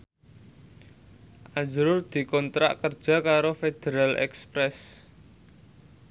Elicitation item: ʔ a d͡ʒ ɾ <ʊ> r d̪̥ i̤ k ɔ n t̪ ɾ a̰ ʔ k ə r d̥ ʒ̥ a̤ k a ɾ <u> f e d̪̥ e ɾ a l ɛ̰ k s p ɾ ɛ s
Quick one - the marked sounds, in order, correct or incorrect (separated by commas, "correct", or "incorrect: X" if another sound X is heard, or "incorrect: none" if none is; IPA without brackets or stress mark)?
correct, incorrect: o